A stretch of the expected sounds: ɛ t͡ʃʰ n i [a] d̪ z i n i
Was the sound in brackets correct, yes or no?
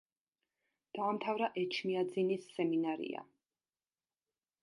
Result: yes